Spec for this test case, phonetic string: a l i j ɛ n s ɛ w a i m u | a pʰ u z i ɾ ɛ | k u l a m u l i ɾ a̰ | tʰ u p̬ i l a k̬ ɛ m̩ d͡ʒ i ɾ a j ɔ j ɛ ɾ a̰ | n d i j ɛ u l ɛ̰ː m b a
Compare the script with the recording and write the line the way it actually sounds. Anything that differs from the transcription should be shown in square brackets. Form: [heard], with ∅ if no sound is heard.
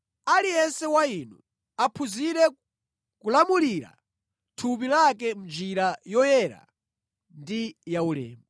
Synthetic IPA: a l i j ɛ n s ɛ w a i [n] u | a pʰ u z i ɾ ɛ | k u l a m u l i ɾ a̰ | tʰ u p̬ i l a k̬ ɛ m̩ d͡ʒ i ɾ a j ɔ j ɛ ɾ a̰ | n d i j [a] u l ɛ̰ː m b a